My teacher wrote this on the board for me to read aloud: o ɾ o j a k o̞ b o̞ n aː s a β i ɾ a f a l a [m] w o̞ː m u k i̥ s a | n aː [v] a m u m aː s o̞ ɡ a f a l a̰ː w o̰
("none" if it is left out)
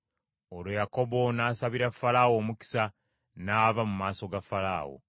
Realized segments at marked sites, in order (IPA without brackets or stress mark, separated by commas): none, v